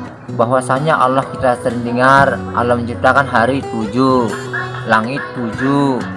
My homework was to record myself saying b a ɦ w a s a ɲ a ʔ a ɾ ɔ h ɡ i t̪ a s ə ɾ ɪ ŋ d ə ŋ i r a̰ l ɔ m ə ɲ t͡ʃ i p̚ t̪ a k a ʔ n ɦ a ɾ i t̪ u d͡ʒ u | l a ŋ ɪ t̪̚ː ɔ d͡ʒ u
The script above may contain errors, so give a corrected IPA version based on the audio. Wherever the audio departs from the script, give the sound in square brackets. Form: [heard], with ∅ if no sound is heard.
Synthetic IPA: b a ɦ w a s a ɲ a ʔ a [l] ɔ h [k] i t̪ a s ə ɾ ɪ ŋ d ə ŋ [a] r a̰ l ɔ m ə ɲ t͡ʃ i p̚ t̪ a k a [∅] n ɦ a ɾ i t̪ u d͡ʒ u | l a ŋ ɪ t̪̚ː [u] d͡ʒ u